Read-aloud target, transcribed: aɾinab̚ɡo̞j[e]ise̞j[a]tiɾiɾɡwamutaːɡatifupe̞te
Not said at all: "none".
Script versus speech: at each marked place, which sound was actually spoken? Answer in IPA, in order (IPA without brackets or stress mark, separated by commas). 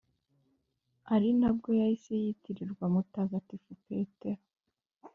a, i